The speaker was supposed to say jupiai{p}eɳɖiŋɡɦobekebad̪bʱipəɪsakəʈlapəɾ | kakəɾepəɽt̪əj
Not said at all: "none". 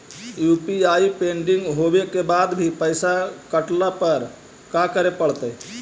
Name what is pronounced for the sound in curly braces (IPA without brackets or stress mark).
p